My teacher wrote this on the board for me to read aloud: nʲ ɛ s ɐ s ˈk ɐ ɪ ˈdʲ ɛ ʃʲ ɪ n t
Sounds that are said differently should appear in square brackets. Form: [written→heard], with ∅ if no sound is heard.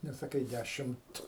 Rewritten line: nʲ ɛ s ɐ [s→∅] ˈk ɐ ɪ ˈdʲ [ɛ→æ] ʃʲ ɪ [n→m] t